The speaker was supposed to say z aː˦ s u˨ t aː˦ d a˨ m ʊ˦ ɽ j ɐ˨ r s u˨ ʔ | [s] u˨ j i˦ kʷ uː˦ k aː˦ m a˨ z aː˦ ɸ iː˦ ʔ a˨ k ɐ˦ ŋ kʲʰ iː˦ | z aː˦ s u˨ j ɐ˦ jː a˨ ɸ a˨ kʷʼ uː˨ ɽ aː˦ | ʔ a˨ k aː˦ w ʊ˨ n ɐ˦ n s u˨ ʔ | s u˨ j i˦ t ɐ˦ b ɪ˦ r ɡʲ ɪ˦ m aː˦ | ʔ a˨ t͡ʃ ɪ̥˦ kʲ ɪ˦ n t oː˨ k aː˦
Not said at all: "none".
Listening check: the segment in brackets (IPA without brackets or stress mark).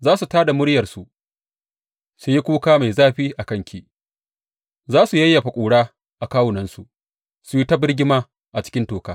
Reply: s